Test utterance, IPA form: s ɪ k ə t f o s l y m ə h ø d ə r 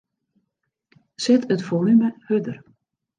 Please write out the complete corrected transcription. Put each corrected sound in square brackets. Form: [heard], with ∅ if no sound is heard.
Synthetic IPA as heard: s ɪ [t] ə t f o [∅] l y m ə h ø d ə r